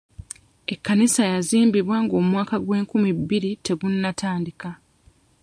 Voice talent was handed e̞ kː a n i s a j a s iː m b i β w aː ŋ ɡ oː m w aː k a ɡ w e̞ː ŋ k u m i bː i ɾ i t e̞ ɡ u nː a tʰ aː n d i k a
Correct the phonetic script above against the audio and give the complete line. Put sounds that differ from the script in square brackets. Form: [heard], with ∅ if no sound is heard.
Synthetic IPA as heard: e̞ kː a n i s a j a [z] iː m b i β w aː ŋ ɡ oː m w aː k a ɡ w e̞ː ŋ k u m i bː i ɾ i t e̞ ɡ u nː a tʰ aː n d i k a